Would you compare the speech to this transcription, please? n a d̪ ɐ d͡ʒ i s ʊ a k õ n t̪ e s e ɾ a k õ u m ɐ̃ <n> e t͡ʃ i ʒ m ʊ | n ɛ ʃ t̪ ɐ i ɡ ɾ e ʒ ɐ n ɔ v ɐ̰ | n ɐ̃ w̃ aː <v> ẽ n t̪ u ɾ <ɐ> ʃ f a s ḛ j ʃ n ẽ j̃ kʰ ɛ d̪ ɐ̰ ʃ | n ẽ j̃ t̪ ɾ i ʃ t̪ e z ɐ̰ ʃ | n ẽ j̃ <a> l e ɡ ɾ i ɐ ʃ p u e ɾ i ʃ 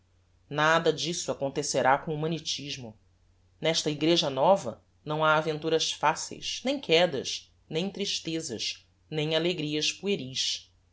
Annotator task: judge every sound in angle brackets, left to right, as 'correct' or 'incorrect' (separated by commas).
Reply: correct, correct, correct, correct